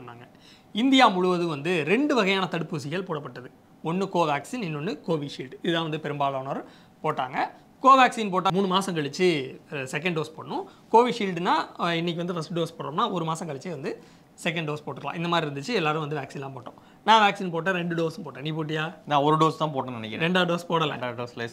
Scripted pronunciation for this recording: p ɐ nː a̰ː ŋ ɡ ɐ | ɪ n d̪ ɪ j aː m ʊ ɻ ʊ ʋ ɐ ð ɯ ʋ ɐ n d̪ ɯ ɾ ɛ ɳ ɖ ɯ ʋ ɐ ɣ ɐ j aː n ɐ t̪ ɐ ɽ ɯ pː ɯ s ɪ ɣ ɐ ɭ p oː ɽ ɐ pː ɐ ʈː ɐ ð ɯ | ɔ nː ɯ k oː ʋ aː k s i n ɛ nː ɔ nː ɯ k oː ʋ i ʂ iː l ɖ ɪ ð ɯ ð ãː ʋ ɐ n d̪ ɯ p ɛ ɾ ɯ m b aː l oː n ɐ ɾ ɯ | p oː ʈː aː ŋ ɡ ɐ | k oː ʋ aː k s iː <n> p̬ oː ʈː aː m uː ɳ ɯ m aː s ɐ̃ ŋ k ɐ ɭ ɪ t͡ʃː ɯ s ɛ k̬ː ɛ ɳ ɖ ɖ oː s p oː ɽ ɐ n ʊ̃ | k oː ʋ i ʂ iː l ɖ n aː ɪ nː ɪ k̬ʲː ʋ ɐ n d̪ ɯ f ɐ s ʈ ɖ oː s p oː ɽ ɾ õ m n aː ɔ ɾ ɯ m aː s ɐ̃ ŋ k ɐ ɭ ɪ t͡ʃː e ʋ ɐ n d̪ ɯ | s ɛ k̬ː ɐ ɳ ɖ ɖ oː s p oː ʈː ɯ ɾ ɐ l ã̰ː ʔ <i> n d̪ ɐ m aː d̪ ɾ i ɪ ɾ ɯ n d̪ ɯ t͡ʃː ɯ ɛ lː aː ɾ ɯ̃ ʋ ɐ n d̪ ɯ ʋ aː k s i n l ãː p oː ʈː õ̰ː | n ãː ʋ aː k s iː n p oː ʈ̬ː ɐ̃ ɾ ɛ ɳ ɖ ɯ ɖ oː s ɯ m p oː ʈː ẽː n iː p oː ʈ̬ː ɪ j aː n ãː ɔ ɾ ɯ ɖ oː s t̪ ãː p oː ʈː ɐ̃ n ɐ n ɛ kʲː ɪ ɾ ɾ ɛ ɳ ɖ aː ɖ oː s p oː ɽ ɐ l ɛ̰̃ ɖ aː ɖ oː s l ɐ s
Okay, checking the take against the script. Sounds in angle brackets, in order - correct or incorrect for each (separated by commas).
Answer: correct, incorrect